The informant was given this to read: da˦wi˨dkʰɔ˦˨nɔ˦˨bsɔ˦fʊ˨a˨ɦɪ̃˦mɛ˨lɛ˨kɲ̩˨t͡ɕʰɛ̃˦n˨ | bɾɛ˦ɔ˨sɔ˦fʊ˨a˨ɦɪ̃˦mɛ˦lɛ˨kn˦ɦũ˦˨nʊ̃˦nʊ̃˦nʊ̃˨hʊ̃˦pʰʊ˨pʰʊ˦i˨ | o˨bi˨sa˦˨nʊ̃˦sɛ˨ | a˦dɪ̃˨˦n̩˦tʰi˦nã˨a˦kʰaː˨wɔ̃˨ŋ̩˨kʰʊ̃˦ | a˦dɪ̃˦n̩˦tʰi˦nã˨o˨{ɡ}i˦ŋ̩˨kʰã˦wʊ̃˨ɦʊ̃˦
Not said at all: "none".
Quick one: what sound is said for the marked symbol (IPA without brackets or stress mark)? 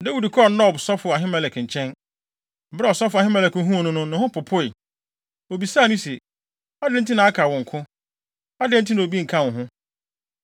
b